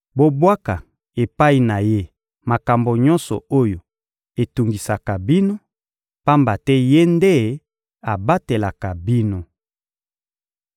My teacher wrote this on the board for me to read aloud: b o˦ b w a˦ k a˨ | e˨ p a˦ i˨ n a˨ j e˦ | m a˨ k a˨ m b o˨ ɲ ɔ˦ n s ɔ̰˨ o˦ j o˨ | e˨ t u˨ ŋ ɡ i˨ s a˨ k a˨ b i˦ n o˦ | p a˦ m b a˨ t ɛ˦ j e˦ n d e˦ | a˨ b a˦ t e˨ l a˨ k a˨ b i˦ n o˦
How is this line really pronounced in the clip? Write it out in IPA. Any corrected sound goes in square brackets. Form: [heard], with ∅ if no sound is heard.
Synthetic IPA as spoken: b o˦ b w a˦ k a˨ | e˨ p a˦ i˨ n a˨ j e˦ | m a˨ k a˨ m b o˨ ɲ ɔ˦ n s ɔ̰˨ o˦ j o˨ | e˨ t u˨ ŋ ɡ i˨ s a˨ k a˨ b i˦ n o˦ | p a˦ m b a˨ t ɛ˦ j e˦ n d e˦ | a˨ b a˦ t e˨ l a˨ k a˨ b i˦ n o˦